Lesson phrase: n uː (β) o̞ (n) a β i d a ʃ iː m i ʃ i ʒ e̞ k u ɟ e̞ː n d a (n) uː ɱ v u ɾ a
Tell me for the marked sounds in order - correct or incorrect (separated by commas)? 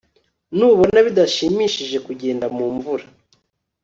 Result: correct, correct, incorrect